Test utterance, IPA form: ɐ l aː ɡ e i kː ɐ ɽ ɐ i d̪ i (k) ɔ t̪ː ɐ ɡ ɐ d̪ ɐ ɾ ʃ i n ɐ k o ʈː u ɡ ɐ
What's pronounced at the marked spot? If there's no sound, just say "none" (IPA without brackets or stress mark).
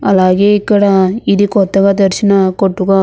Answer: k